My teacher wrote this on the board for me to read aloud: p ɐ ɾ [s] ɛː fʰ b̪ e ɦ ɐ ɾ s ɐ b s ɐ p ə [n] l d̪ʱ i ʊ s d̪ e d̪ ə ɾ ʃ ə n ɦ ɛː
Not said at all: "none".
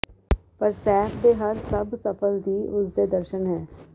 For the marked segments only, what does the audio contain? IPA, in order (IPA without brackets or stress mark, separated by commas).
s, none